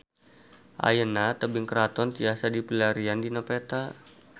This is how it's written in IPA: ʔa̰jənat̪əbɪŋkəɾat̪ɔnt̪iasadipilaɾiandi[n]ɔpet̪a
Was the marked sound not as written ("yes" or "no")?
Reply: no